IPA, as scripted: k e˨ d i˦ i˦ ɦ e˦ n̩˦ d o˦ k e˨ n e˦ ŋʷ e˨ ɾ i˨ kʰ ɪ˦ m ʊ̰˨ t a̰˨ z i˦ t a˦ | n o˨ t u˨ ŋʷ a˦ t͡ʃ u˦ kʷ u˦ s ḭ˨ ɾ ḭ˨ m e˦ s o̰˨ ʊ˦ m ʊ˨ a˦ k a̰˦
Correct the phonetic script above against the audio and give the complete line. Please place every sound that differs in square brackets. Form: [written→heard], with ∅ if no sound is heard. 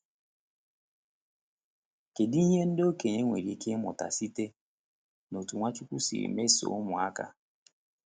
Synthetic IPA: k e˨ d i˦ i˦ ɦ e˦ n̩˦ d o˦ k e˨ [n→ɲ] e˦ ŋʷ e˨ ɾ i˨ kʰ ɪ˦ m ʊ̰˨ t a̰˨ [z→s] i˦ t [a˦→e˦] | n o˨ t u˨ ŋʷ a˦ t͡ʃ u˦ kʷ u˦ s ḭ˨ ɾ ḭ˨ m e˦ s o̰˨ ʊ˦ m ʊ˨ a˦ k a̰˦